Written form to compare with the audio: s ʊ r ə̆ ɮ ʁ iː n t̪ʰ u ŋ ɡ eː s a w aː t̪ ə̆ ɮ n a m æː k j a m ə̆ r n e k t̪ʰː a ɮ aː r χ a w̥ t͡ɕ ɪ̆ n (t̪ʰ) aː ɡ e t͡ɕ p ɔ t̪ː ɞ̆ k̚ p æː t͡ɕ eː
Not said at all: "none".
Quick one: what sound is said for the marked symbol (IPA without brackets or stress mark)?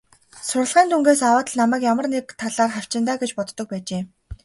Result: t̪